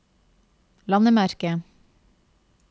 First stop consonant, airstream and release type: plain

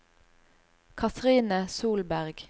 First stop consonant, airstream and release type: aspirated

